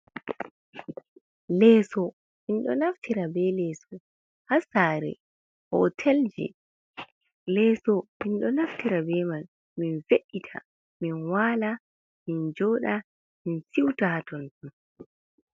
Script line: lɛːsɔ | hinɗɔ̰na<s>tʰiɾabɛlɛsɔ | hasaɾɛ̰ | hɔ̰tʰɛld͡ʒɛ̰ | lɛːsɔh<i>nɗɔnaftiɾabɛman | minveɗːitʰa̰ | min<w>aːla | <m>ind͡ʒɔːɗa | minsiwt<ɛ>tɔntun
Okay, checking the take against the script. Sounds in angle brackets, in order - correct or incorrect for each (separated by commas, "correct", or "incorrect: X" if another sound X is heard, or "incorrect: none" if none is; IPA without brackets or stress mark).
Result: incorrect: f, correct, correct, correct, incorrect: a